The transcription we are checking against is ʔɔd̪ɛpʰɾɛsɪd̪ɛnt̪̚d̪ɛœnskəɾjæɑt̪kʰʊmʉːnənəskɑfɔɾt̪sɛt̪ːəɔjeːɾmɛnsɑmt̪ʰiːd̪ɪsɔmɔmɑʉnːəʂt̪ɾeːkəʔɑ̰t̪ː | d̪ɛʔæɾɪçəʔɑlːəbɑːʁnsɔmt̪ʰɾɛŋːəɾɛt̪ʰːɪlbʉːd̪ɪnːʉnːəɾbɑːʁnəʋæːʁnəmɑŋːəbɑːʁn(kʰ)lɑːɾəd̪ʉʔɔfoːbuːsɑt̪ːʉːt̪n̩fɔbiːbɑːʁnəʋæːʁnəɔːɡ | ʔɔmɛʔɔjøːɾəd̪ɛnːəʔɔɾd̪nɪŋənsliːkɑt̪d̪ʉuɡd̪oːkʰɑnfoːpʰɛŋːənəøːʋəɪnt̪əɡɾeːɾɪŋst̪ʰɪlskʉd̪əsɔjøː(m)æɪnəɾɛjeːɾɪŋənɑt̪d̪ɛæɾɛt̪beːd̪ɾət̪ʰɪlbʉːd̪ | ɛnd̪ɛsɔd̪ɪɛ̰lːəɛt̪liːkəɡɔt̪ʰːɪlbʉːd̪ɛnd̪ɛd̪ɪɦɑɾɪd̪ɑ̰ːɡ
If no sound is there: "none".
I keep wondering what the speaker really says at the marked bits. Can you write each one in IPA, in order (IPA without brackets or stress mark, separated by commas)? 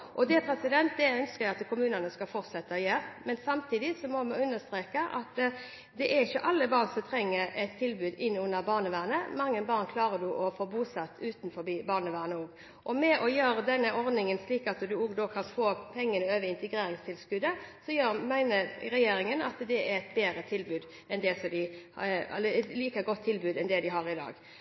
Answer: kʰ, m